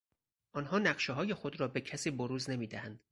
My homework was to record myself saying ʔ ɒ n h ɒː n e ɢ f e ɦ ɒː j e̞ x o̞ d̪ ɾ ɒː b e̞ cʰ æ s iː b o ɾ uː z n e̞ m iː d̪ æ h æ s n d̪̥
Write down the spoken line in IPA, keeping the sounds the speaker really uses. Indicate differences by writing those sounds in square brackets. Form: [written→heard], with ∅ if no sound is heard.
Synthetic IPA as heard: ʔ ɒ n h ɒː n [e→æ] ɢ [f→ʃ] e ɦ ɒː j e̞ x o̞ d̪ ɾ ɒː b e̞ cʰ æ s iː b o ɾ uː z n e̞ m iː d̪ æ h æ [s→∅] n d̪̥